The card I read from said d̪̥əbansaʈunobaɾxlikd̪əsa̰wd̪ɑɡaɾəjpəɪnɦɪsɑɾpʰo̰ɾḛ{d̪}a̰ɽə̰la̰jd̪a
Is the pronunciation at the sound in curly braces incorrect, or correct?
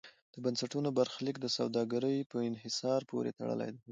incorrect